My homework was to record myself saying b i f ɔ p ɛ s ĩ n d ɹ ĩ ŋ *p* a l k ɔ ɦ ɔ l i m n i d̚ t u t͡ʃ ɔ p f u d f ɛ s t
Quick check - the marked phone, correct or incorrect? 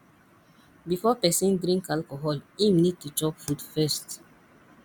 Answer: incorrect